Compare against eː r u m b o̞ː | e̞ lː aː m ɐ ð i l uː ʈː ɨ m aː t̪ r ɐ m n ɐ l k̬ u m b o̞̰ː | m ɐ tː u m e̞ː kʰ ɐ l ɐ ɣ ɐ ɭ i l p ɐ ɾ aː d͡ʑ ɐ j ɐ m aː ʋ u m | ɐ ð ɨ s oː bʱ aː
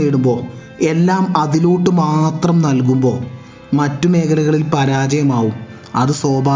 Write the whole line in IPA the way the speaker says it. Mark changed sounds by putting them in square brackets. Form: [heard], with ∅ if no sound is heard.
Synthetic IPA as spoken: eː [ɽ] u m b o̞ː | e̞ lː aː m ɐ ð i l uː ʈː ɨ m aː t̪ r ɐ m n ɐ l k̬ u m b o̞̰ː | m ɐ tː u m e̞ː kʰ ɐ l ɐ ɣ ɐ ɭ i l p ɐ ɾ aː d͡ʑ ɐ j ɐ m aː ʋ u m | ɐ ð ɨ s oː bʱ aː